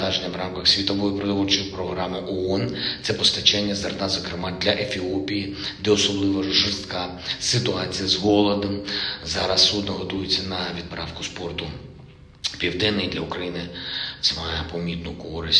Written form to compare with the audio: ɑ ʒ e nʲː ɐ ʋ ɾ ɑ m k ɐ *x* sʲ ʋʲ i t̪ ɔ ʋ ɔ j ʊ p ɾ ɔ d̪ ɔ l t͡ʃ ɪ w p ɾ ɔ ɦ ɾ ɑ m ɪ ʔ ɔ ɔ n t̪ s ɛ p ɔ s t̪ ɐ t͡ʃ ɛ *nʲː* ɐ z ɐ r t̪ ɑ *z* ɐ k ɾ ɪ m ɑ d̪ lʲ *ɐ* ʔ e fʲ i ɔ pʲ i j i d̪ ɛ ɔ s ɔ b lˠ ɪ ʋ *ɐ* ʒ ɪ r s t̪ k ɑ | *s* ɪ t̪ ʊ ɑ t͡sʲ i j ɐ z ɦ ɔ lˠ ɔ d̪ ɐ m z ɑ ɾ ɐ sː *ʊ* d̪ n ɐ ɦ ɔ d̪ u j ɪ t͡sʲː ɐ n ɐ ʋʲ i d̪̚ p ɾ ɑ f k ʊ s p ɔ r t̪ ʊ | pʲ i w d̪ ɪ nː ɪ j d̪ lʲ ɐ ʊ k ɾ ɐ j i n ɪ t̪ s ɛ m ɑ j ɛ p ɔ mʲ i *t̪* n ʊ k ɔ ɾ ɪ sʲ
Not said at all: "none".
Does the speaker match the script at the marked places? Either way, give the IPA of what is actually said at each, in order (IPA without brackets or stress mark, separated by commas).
x, nʲː, z, ɐ, ɐ, s, u, t̪